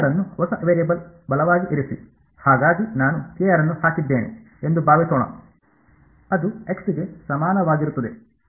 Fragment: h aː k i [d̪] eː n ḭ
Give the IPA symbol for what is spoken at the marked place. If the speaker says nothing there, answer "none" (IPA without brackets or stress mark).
d̪ː